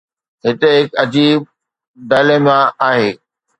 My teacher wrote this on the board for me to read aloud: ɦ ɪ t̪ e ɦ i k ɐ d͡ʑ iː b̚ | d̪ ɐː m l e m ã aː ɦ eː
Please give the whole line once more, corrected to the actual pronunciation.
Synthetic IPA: ɦ ɪ t̪ e ɦ ɪ k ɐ d͡ʑ iː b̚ | d̪ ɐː l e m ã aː ɦ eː